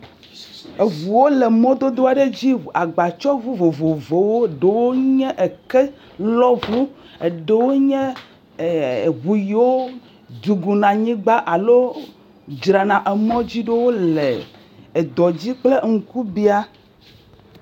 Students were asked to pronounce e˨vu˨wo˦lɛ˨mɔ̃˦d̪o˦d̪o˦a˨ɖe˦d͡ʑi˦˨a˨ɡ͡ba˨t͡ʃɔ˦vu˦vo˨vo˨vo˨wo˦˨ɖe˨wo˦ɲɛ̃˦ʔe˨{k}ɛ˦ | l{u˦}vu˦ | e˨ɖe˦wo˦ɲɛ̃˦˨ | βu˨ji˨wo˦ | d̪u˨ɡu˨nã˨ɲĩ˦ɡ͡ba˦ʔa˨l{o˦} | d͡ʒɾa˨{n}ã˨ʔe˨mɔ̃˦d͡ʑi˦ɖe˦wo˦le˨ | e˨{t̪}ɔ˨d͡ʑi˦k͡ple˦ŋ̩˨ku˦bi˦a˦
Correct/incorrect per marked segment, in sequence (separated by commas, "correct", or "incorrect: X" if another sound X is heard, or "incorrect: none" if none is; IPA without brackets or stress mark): correct, incorrect: ɔ˦, correct, correct, incorrect: d̪